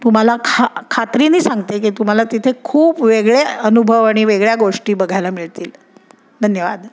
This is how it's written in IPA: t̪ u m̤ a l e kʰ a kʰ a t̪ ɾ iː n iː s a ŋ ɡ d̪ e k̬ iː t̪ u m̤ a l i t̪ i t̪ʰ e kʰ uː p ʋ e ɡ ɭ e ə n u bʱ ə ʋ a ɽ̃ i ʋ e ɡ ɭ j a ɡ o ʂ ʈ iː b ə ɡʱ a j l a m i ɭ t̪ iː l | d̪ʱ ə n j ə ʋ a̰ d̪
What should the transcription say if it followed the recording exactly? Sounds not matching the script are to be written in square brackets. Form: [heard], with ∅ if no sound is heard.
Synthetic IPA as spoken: t̪ u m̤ a l [a] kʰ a kʰ a t̪ ɾ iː n iː s a ŋ ɡ [t̪] e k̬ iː t̪ u m̤ a l [a] t̪ i t̪ʰ e kʰ uː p ʋ e ɡ ɭ e ə n u bʱ ə ʋ a ɽ̃ i ʋ e ɡ ɭ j a ɡ o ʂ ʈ iː b ə ɡʱ a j l a m i ɭ t̪ iː l | d̪ʱ ə n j ə ʋ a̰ d̪